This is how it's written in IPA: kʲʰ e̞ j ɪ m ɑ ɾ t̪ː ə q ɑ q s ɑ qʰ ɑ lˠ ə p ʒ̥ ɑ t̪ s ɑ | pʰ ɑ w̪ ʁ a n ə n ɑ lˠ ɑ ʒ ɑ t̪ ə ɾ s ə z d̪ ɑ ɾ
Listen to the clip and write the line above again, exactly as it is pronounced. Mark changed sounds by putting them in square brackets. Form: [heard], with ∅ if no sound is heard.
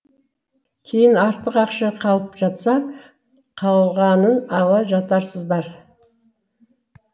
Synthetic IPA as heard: kʲʰ e̞ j ɪ [n] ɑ ɾ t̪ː ə q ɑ q [ʃ] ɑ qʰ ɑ lˠ ə p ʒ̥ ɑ t̪ s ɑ | [qʰ] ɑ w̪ ʁ [ɑ] n ə n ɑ lˠ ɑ ʒ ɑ t̪ [ɑ] ɾ s ə z d̪ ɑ ɾ